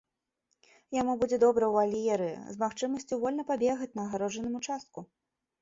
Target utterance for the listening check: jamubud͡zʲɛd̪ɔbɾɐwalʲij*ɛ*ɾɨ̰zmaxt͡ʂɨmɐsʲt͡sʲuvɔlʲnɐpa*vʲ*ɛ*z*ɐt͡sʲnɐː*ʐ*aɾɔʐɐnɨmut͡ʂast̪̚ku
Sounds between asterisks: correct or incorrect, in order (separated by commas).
correct, incorrect, incorrect, incorrect